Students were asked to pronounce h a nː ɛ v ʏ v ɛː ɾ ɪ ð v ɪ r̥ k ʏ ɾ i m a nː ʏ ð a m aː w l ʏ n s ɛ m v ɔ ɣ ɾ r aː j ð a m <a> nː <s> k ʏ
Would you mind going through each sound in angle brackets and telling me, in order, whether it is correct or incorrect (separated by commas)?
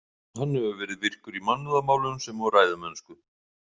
incorrect, correct